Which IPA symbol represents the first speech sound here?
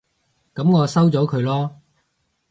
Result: k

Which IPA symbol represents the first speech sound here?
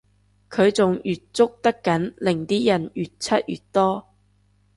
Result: kʰ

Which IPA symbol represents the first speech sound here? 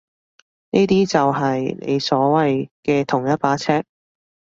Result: n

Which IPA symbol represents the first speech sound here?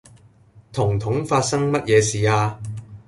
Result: t̪ʰ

